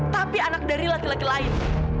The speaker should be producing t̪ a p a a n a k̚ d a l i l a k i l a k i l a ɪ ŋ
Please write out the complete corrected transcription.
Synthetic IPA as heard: t̪ a p i a n a k̚ d a ɾ i l a k i l a k i l a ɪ n